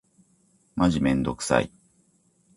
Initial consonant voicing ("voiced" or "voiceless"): voiced